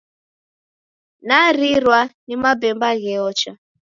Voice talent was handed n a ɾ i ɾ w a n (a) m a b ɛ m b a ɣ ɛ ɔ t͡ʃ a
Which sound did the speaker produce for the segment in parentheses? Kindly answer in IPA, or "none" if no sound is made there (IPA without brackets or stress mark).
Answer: i